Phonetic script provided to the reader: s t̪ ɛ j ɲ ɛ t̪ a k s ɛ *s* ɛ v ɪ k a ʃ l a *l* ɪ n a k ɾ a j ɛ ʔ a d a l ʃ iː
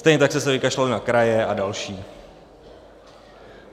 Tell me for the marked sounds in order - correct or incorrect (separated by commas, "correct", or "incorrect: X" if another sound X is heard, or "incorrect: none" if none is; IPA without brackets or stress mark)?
correct, correct